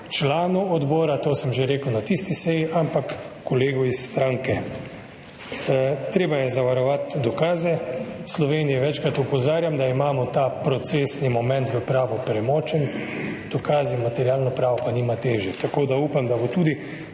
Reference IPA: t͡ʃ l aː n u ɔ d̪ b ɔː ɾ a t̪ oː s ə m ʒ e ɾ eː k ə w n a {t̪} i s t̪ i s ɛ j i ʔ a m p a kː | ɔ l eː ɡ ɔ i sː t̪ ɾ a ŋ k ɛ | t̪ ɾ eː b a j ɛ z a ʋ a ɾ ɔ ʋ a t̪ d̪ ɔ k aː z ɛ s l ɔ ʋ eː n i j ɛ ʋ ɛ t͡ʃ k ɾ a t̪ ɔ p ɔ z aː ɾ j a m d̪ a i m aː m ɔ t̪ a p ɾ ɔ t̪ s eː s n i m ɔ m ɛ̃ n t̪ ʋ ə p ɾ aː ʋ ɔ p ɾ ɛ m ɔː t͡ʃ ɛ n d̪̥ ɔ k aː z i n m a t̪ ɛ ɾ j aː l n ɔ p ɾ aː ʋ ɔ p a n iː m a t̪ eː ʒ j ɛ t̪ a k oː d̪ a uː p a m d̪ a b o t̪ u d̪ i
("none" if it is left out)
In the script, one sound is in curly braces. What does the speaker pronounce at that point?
t̪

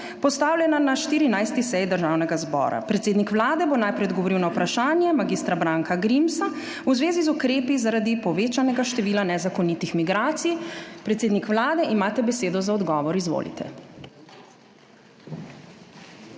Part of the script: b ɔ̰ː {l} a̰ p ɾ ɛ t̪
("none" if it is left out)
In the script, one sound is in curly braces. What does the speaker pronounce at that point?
ɾ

